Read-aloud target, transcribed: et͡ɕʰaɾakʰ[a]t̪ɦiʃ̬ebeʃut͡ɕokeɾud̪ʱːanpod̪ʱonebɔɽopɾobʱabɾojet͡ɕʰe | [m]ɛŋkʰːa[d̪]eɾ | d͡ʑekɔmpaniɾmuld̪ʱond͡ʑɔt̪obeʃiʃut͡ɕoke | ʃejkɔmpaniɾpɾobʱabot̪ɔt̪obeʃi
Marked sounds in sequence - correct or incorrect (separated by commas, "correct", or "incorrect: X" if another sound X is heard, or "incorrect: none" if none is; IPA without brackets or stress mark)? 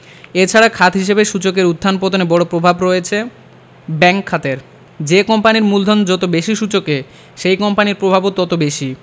correct, incorrect: b, incorrect: t̪